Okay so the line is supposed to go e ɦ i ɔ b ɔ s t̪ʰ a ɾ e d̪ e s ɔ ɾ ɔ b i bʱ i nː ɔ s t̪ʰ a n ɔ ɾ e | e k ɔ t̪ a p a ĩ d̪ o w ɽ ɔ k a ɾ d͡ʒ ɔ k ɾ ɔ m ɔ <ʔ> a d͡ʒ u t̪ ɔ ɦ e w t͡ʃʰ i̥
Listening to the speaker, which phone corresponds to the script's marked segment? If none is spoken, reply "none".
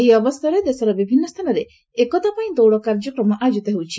ʔ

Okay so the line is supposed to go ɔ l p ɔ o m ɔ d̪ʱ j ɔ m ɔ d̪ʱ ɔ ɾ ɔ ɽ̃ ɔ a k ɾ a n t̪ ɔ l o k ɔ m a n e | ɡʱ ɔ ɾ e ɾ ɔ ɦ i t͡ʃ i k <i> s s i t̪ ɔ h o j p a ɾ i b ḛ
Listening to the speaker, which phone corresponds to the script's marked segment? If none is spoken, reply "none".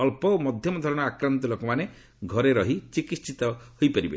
i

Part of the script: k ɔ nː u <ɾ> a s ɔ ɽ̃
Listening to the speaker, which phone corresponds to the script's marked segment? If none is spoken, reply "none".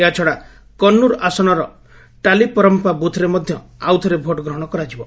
ɾ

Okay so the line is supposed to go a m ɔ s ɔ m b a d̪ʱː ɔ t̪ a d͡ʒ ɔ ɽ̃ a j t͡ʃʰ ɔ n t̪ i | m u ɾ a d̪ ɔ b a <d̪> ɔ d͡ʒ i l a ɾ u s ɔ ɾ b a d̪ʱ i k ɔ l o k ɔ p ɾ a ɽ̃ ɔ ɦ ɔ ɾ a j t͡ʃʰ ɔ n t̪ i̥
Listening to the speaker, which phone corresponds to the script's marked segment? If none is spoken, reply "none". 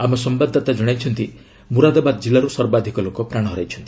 d̪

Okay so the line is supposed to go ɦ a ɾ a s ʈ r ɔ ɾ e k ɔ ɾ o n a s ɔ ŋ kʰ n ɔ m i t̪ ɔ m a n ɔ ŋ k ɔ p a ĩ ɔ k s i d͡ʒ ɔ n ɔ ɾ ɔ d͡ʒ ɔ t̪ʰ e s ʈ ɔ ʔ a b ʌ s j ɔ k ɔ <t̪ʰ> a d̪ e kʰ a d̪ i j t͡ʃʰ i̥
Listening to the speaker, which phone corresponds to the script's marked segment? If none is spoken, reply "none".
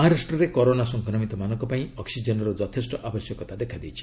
t̪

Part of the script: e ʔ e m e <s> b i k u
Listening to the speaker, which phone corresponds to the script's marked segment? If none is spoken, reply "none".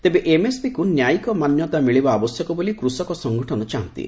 s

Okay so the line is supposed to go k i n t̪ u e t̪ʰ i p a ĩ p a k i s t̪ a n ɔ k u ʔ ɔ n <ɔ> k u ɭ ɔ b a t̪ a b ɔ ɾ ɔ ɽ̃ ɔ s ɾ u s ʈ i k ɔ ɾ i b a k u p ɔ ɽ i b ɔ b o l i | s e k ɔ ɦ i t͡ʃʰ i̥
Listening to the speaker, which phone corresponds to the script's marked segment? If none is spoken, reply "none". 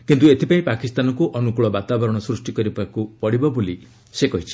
u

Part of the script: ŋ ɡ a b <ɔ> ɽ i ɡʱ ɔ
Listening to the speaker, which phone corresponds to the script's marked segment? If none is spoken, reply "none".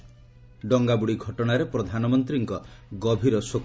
u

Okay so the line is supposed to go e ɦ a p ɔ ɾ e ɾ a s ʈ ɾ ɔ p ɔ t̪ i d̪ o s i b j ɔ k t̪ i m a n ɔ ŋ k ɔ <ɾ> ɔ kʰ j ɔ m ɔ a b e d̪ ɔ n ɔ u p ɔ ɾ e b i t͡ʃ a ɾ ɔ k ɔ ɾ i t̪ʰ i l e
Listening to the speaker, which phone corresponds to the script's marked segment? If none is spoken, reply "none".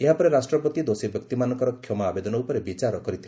ɾ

